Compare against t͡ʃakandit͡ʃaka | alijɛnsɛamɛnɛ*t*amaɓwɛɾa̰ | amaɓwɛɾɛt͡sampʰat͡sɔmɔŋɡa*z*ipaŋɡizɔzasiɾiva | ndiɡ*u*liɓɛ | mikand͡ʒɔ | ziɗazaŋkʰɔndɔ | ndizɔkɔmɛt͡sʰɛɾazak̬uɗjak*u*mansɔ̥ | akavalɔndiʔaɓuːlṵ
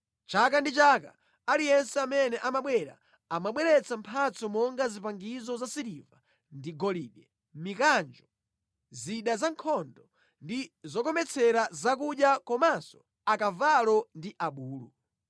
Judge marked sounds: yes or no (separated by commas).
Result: no, yes, no, no